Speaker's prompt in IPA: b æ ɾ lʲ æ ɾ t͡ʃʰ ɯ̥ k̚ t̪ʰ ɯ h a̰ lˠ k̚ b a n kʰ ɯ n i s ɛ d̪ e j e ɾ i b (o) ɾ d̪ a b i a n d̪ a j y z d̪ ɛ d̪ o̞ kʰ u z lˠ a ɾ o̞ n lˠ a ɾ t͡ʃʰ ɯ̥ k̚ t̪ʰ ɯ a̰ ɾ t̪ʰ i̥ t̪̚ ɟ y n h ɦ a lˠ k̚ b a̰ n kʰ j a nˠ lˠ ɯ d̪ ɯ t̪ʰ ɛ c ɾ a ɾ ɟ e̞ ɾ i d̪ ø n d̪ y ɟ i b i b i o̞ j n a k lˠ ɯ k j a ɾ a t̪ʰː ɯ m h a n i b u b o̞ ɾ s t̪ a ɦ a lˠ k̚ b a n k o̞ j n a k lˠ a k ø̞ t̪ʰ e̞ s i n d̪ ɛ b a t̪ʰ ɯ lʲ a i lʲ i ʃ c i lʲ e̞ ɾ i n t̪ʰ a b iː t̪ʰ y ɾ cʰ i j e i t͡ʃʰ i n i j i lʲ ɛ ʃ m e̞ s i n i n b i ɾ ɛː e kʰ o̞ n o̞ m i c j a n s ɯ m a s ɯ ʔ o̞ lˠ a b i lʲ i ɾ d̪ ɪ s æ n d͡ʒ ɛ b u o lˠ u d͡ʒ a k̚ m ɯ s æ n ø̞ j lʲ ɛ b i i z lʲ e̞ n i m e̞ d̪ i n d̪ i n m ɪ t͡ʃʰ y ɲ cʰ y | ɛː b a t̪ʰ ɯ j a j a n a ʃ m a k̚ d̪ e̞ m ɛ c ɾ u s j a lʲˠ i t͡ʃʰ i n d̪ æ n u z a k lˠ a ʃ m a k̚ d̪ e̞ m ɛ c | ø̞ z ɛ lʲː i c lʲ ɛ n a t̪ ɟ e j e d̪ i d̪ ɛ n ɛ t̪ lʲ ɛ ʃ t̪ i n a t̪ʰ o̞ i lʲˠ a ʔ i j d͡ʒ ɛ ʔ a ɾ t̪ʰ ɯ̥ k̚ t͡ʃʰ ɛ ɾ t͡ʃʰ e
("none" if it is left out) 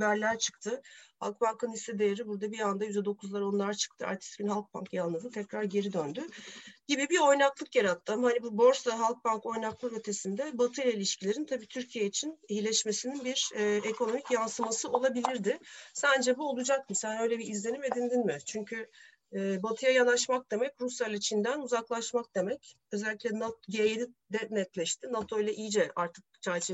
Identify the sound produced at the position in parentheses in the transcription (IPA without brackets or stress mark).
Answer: u